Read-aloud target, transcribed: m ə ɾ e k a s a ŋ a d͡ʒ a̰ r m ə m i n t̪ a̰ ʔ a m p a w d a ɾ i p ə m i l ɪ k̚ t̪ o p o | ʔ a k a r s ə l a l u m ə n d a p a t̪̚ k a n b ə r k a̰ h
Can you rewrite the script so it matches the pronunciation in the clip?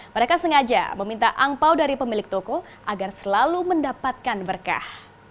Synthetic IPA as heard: m ə ɾ e k a s ə ŋ a d͡ʒ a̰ m ə m i n t̪ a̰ ʔ a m p a w d a ɾ i p ə m i l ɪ k̚ t̪ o k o | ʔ a ɡ a r s ə l a l u m ə n d a p a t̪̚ k a n b ə r k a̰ h